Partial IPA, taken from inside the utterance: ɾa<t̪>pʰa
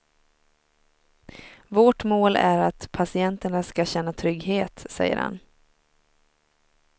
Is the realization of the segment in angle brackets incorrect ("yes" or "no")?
no